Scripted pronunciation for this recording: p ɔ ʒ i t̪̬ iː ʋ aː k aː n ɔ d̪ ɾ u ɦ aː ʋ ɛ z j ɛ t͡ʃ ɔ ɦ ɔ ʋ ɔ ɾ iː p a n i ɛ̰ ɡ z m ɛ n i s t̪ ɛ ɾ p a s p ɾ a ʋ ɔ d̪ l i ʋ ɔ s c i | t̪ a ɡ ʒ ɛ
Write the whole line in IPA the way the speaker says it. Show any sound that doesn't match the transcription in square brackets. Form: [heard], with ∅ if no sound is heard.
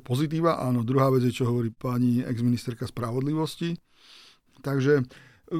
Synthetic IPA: p ɔ [z] i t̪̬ iː ʋ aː [ʔ] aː n ɔ d̪ ɾ u ɦ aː ʋ ɛ [d͡z] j ɛ t͡ʃ ɔ ɦ ɔ ʋ ɔ ɾ iː p a [ɲ] i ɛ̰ ɡ z m [i] n i s t̪ ɛ ɾ [k] a s p ɾ a ʋ ɔ d̪ l i ʋ ɔ s c i | t̪ a ɡ ʒ ɛ